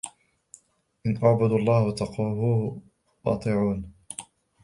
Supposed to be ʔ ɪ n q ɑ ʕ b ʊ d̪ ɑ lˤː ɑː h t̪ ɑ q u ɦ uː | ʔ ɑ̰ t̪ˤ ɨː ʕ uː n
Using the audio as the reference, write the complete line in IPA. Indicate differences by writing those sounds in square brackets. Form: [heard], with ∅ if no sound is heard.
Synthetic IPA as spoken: ʔ ɪ n [ʔ] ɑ ʕ b ʊ d̪ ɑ lˤː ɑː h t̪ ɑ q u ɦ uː | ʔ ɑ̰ t̪ˤ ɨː ʕ uː n